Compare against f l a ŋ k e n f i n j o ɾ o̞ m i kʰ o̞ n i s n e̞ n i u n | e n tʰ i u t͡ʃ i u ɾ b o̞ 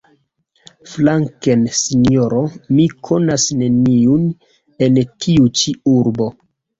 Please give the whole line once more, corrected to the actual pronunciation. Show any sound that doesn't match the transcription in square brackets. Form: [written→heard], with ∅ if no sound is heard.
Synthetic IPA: f l a ŋ k e n [f→s] i n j o ɾ o̞ m i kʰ o̞ n [i→a] s n e̞ n i u n | e n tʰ i u t͡ʃ i u ɾ b o̞